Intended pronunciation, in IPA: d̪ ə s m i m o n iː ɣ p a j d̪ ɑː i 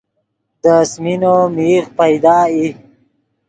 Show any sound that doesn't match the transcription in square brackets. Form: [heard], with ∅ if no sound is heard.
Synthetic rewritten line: d̪ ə s m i [n] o [m] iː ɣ p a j d̪ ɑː i